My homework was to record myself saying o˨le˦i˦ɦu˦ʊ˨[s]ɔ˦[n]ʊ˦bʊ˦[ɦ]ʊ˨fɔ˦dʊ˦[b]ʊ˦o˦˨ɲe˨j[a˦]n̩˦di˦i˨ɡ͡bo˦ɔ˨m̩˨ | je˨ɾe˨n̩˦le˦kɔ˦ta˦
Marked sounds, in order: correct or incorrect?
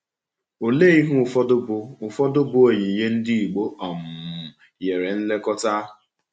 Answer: incorrect: f, incorrect: d, incorrect: none, correct, incorrect: e˦

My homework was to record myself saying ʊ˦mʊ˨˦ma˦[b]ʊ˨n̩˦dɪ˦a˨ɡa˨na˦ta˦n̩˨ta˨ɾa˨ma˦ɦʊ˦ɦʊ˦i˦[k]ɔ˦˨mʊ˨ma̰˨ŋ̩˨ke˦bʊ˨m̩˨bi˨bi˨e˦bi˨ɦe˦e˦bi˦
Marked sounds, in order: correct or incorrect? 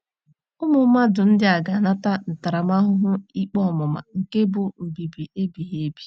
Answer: incorrect: d, incorrect: k͡p

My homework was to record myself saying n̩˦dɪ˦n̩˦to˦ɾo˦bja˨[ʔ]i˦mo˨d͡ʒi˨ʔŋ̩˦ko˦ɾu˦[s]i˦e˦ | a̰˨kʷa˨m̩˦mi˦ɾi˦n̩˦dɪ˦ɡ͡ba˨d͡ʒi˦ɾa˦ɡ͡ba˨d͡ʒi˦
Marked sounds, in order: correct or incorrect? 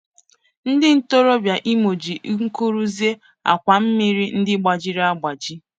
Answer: correct, incorrect: z

